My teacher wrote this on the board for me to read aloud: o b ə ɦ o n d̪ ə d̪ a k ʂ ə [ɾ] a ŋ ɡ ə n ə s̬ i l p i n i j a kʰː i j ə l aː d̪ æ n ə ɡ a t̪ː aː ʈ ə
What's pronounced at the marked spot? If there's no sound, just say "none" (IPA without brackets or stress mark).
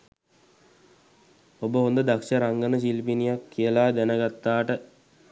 ɾ